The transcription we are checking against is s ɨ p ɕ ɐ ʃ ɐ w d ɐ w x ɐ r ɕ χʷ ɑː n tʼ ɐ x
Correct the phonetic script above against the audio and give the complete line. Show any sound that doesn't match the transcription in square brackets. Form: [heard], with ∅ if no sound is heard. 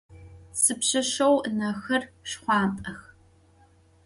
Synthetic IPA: s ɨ p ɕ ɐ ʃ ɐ w [n] ɐ [∅] x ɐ r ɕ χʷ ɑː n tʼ ɐ x